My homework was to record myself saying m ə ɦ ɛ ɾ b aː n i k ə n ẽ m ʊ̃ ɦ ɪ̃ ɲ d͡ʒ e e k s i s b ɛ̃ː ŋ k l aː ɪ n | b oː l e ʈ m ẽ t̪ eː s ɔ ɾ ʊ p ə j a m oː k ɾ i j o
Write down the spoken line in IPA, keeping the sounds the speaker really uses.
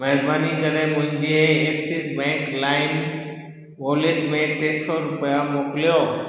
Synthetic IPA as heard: m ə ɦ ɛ ɾ b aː n i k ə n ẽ m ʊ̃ ɦ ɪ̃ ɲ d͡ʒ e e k s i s b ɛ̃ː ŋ k l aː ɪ n | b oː l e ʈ m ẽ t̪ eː s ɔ ɾ ʊ p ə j a m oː k l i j o